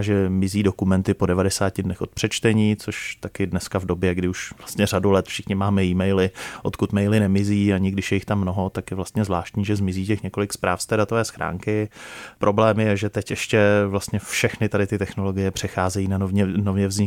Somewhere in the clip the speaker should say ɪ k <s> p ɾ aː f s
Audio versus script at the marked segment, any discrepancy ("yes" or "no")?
no